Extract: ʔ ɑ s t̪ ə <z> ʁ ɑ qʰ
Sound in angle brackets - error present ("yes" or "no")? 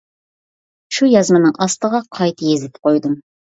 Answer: yes